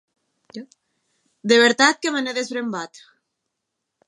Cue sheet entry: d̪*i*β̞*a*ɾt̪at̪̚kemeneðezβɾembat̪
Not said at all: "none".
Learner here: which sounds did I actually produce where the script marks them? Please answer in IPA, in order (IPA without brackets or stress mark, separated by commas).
e, e